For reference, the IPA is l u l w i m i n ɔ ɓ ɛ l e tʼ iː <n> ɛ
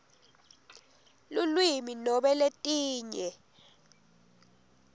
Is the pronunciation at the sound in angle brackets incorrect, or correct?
incorrect